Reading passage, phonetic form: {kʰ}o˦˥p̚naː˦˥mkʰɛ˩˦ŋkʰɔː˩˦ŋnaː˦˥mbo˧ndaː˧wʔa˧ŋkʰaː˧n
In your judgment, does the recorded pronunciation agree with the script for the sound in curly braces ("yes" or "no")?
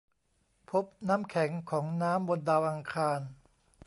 no